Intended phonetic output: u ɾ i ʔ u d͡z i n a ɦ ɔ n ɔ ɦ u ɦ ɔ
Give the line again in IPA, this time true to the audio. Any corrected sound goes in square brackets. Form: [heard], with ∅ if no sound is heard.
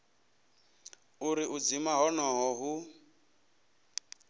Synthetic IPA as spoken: u ɾ i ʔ u d͡z i [m] a ɦ ɔ n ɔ ɦ [ɔ] ɦ [u]

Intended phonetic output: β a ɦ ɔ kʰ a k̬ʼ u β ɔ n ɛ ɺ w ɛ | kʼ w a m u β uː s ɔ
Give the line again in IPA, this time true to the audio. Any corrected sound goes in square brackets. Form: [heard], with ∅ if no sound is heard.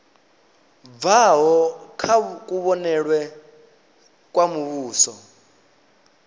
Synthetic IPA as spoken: [v] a ɦ ɔ kʰ a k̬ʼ u β ɔ n ɛ ɺ w ɛ | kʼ w a m u β uː s ɔ

